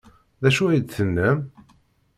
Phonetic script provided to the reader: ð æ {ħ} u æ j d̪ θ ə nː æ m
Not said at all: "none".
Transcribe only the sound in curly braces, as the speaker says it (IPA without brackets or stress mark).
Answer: ʃ